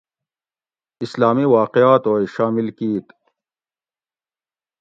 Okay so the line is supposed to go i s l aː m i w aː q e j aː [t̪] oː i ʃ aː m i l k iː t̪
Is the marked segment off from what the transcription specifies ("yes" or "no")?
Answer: no